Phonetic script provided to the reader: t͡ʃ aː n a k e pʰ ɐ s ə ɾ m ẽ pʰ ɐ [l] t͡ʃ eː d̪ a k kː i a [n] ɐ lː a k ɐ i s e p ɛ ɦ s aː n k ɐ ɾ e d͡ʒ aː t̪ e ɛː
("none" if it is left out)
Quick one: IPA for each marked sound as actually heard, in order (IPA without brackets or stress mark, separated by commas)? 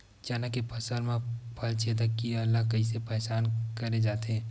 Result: l, none